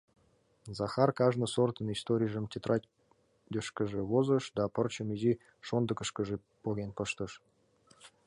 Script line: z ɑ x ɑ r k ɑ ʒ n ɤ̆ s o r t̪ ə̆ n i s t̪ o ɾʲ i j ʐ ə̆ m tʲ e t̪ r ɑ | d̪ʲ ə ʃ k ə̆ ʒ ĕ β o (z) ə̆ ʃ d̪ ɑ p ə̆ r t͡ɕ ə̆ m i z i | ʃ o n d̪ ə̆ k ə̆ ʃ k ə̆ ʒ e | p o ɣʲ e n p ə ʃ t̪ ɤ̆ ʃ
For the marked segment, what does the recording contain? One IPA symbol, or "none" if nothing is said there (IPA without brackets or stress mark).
z